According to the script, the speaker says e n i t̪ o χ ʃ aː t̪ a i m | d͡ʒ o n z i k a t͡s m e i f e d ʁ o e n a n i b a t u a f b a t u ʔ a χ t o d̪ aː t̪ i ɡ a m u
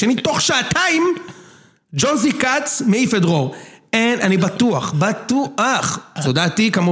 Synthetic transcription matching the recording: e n i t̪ o χ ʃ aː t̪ a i m | d͡ʒ o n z i k a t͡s m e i f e d ʁ o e n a n i b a t u a χ b a t u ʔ a χ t o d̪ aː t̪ i k a m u